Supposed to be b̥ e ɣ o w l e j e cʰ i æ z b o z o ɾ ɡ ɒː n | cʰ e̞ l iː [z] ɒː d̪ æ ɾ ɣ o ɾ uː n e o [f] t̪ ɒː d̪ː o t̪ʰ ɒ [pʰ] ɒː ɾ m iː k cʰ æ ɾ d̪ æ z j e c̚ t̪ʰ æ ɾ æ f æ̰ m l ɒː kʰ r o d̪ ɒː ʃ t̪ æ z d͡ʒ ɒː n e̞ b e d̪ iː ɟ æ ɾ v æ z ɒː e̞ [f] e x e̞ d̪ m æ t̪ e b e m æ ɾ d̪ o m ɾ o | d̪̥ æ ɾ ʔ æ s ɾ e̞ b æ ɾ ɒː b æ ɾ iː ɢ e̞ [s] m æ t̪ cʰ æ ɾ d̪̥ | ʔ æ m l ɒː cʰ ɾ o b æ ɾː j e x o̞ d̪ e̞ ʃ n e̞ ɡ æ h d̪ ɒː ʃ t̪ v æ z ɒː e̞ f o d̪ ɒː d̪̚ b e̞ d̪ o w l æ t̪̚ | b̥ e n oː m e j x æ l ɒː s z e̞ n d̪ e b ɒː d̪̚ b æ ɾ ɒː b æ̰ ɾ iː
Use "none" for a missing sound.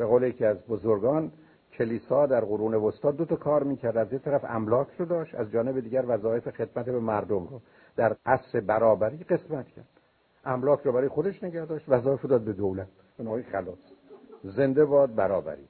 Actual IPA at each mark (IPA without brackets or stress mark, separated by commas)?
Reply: s, s, kʰ, f, s